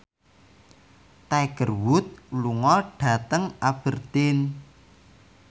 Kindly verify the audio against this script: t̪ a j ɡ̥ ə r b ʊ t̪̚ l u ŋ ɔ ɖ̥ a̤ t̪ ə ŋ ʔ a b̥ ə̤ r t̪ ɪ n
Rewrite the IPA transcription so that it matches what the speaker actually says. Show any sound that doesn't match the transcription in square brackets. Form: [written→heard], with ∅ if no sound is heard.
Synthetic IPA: t̪ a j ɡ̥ ə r [b→w] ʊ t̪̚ l u ŋ ɔ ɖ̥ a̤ t̪ ə ŋ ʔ a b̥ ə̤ r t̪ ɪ n